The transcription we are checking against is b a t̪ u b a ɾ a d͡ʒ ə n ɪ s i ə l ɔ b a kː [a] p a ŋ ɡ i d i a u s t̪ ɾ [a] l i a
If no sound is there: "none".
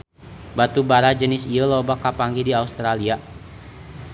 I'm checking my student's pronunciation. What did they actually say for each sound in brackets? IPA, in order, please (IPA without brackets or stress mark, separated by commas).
a, a